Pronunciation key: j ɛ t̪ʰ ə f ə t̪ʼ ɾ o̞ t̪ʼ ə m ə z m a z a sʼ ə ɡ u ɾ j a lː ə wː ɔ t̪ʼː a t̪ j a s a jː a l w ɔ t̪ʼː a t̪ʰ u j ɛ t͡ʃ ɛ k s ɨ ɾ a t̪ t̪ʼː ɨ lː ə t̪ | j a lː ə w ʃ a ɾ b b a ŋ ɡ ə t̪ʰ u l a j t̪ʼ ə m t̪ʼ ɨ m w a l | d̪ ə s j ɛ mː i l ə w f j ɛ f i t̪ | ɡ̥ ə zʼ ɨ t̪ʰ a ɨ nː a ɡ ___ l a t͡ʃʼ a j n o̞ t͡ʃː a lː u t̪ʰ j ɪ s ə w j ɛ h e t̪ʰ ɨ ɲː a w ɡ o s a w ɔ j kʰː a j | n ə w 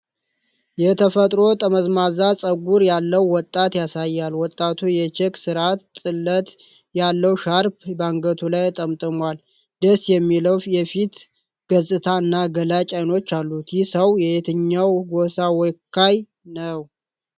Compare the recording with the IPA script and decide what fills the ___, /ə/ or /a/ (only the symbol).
ə